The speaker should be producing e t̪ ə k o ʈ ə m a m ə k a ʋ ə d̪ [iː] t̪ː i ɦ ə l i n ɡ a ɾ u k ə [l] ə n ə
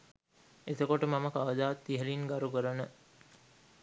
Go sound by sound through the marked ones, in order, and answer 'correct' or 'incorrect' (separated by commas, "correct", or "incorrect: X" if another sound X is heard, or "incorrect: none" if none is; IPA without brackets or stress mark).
incorrect: aː, incorrect: ɾ